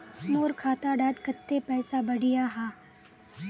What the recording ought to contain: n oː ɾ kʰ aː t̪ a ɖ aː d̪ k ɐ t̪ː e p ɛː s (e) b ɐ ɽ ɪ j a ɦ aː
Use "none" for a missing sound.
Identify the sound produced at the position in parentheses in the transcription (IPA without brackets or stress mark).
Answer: a